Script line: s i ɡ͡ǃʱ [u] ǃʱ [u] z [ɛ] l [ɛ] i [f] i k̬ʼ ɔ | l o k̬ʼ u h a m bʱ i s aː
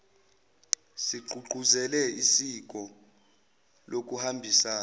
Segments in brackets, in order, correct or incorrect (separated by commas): correct, correct, correct, correct, incorrect